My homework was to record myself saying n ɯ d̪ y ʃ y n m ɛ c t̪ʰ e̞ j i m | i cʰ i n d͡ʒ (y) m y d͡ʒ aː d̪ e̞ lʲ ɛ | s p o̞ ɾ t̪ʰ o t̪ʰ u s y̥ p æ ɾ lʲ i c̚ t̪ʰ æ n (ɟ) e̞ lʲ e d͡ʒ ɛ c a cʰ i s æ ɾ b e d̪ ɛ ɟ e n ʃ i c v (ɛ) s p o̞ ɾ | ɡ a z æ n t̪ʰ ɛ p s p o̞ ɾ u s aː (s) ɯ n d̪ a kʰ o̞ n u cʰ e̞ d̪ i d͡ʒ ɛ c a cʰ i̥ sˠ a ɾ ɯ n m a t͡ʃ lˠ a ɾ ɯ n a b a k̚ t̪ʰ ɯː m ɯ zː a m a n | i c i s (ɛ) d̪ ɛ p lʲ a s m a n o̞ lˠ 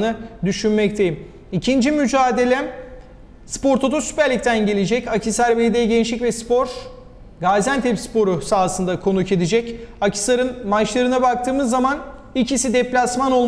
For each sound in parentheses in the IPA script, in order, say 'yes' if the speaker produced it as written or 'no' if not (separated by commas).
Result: no, yes, yes, yes, no